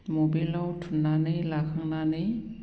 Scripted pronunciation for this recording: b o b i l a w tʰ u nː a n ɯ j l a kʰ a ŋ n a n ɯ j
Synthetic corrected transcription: m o b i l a w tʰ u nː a n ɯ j l a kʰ a ŋ n a n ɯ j